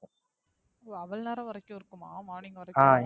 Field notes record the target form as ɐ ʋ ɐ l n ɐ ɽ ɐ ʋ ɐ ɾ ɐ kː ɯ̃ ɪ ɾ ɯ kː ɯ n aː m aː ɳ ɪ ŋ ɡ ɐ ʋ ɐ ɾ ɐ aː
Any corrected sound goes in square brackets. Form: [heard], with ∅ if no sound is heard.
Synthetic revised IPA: ɐ ʋ ɐ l n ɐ [ɾ] ɐ ʋ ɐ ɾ ɐ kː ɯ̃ ɪ ɾ ɯ kː ɯ [m] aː m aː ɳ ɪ ŋ ɡ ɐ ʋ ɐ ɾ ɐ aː